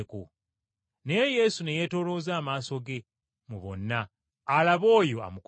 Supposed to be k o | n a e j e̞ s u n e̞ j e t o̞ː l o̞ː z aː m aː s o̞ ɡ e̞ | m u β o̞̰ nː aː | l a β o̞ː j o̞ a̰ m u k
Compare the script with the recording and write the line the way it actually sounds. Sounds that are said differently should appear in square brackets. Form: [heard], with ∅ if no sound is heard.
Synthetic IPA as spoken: k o | n [e] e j e̞ s u n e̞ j e t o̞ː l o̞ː z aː m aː s o̞ ɡ e̞ | m u β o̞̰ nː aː | l a β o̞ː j o̞ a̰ m u k

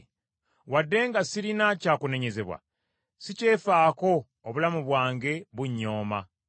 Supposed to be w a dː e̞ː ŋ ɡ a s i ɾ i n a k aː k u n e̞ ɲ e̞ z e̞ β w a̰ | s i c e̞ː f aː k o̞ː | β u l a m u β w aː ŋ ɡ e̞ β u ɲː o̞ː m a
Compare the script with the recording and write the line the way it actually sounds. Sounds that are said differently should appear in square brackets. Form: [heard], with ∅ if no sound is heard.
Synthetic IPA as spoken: w a dː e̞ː ŋ ɡ a s i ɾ i n a [c] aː k u n e̞ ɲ e̞ z e̞ β w a̰ | s i c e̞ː f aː k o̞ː | β u l a m u β w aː ŋ ɡ e̞ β u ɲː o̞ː m a

